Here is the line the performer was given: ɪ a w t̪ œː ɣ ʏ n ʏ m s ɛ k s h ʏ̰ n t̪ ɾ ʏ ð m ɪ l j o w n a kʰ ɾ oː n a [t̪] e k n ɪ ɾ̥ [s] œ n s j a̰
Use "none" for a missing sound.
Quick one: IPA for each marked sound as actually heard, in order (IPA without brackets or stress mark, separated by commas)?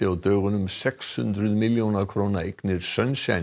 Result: none, s